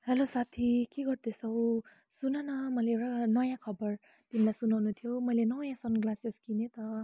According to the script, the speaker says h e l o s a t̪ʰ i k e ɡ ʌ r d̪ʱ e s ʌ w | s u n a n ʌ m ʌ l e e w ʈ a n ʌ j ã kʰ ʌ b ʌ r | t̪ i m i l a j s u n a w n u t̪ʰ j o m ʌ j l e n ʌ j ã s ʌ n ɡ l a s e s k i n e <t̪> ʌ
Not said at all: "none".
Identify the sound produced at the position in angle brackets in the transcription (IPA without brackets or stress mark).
t̪